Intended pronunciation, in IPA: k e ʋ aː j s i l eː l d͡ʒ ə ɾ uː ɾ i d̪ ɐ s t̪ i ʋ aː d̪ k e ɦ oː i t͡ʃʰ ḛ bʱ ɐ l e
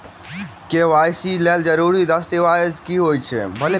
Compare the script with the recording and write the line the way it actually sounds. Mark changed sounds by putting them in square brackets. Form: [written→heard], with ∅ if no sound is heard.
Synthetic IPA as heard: k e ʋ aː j s i l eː l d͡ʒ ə ɾ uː ɾ i d̪ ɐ s t̪ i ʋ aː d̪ k [e→i] ɦ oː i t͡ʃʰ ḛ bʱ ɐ l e